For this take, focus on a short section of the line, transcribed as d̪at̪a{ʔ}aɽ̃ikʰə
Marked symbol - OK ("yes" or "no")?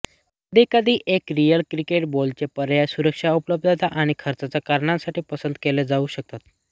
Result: yes